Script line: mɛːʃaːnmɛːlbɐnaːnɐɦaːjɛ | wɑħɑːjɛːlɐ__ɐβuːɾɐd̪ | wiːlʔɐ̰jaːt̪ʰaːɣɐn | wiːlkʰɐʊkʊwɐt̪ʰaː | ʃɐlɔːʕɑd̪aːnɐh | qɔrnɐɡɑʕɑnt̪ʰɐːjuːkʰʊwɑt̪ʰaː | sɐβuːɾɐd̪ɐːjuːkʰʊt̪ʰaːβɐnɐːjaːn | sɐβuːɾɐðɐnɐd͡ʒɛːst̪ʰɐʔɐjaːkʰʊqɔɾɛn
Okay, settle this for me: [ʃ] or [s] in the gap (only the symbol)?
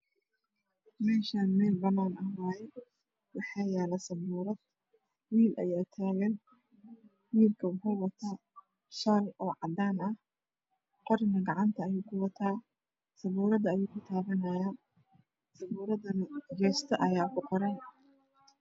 s